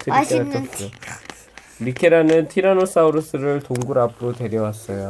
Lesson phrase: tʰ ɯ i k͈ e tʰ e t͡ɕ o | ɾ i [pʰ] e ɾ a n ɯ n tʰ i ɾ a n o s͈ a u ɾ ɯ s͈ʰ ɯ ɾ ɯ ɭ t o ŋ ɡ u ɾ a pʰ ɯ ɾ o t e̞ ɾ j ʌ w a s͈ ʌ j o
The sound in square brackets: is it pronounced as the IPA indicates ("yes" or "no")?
no